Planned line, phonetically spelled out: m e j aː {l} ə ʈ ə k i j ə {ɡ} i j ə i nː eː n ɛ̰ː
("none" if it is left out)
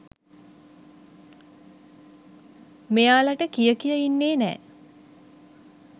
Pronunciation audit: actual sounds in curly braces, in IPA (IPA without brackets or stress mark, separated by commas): l, k